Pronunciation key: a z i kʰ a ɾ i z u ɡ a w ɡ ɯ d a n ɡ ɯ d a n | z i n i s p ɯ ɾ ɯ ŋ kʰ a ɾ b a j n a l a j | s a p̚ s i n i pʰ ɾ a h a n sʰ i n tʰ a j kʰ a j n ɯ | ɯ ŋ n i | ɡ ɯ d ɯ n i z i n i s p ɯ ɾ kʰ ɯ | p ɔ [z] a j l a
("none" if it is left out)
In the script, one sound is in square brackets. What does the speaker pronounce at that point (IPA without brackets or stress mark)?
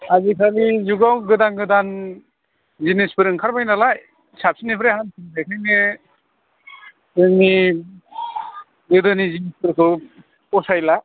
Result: s